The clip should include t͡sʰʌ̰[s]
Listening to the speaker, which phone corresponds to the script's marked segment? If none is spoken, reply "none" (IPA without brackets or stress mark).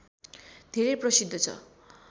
none